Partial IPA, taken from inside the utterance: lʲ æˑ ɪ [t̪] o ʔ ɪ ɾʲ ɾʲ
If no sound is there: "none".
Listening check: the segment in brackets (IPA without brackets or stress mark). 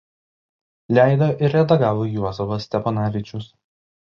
d̪